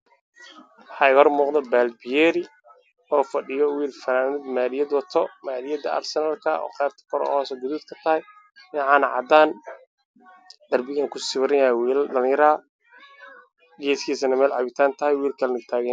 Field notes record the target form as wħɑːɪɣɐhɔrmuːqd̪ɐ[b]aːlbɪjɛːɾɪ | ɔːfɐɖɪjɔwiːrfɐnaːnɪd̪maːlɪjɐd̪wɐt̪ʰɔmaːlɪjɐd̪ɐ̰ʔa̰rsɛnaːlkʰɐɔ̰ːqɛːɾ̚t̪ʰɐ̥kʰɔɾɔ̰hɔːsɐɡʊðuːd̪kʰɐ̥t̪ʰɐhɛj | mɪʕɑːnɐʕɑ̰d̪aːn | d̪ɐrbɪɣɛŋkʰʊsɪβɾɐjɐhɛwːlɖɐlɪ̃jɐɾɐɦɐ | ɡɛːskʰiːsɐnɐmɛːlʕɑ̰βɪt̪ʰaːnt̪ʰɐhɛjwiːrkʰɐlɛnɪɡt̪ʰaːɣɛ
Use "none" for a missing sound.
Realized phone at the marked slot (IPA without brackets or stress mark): b